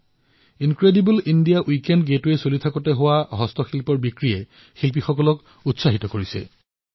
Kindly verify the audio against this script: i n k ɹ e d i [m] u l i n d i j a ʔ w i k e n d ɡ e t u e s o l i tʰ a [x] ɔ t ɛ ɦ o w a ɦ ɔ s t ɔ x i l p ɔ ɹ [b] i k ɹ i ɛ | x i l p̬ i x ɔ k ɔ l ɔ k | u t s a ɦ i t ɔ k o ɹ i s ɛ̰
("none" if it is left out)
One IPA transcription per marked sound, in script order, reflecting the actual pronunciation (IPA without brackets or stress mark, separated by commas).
b, k, b